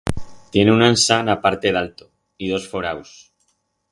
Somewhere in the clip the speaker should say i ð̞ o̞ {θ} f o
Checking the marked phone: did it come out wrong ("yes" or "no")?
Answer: yes